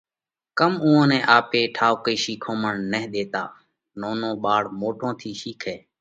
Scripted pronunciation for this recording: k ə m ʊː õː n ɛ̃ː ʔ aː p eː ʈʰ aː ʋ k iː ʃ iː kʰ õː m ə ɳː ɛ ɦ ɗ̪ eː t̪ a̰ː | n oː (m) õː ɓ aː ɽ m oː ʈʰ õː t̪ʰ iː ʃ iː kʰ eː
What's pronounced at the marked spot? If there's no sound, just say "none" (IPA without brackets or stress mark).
n